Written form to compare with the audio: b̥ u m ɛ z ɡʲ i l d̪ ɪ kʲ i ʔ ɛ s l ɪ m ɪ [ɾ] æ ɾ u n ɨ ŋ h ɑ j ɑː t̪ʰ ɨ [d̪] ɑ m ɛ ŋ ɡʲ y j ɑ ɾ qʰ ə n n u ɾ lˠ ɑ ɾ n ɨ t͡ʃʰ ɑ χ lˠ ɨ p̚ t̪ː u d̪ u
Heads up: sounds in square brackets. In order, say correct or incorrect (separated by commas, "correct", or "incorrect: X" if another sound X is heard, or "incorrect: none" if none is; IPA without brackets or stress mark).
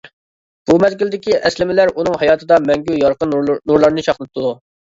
incorrect: l, correct